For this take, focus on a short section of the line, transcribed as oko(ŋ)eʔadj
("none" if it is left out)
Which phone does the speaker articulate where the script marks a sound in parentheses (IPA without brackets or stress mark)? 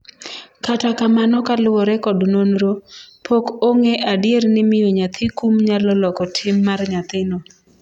ŋ